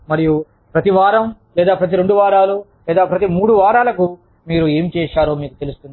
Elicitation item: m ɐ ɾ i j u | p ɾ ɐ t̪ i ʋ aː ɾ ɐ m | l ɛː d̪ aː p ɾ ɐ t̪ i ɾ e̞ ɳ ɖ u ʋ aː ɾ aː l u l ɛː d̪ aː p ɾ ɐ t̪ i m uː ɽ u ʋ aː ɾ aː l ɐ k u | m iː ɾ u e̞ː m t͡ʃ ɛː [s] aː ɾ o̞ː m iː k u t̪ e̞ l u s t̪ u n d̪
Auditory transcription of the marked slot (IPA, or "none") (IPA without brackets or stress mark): ʃ